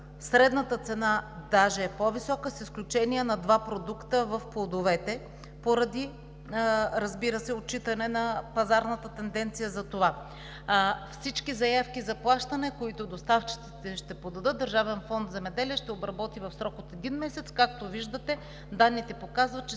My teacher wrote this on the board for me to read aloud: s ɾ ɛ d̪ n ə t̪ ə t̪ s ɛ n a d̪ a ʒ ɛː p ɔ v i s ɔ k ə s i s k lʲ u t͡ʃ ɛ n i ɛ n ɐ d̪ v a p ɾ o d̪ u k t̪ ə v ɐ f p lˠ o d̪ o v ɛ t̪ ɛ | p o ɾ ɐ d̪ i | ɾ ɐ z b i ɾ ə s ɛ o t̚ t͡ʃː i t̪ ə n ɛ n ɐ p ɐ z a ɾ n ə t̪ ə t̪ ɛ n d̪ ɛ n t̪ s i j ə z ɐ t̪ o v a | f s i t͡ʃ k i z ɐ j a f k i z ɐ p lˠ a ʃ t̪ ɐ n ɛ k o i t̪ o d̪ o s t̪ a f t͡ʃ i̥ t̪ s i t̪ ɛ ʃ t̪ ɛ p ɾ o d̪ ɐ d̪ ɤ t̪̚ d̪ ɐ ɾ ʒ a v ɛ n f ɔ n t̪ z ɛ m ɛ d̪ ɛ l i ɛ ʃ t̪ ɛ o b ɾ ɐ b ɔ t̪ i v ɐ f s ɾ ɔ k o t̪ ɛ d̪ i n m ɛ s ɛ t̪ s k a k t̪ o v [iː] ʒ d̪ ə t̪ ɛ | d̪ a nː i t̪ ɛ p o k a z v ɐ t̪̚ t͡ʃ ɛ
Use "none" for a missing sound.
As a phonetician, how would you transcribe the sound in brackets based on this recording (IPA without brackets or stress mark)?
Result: i